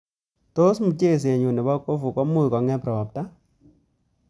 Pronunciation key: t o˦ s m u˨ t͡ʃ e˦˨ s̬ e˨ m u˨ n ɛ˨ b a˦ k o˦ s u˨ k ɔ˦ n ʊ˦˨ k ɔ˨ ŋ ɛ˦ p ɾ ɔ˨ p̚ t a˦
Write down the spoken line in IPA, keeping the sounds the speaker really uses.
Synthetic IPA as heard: t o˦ s m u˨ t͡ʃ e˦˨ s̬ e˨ ɲ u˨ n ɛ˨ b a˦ k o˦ f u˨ k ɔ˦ m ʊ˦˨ k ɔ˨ ŋ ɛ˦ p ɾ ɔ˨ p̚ t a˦